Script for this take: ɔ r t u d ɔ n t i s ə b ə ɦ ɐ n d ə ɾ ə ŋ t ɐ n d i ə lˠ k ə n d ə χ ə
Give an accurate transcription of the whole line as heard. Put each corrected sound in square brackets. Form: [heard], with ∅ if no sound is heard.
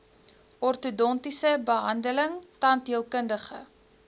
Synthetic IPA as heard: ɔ r t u d ɔ n t i s ə b ə ɦ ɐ n d ə [l] ə ŋ t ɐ n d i ə lˠ k ə n d ə χ ə

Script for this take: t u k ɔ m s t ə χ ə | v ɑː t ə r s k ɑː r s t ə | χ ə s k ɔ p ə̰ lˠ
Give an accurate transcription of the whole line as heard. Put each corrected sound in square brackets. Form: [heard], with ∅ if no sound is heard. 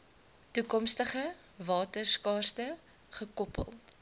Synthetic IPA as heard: t u k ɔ m s t ə χ ə | v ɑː t ə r s k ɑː r s t ə | χ ə [∅] k ɔ p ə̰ lˠ

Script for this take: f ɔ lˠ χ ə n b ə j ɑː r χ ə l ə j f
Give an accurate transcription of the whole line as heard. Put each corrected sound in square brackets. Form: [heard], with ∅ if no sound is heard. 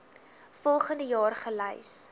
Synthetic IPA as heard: f ɔ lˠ χ ə n [d] ə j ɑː r χ ə l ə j [s]

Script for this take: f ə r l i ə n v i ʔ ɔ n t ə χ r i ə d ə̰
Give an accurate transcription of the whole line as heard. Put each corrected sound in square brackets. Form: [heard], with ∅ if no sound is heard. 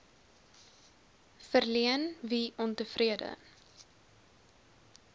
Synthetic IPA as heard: f ə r l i ə n v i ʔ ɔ n t ə [f] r i ə d ə̰

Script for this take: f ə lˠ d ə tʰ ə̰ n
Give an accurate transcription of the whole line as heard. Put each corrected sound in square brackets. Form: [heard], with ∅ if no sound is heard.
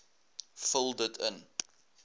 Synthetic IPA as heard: f ə lˠ d ə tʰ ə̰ n

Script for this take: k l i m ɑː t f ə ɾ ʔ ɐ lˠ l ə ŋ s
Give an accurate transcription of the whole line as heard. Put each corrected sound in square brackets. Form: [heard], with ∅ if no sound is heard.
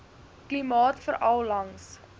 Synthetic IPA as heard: k l i m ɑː t f ə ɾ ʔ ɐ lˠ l [ɐ] ŋ s

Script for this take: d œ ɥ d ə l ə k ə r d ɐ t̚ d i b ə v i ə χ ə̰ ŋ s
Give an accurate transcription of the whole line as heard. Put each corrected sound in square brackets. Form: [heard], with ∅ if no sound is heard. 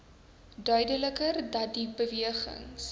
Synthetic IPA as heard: d œ ɥ d ə l ə k ə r d ɐ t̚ d i b ə v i ə χ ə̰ ŋ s

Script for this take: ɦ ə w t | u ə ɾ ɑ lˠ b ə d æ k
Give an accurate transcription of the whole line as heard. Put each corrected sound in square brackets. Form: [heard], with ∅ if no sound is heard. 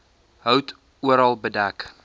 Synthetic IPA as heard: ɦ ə w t | u ə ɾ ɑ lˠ b ə d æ k

